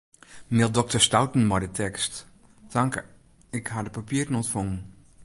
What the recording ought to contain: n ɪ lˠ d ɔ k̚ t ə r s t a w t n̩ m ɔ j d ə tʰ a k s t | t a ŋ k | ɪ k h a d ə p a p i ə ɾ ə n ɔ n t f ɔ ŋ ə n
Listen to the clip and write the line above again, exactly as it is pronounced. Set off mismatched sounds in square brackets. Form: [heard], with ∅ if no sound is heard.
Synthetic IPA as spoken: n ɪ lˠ d ɔ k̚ t ə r s t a w t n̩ m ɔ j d ə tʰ [ɛ] k s t | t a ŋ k | ɪ k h a d ə p a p i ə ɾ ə n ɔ n t f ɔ ŋ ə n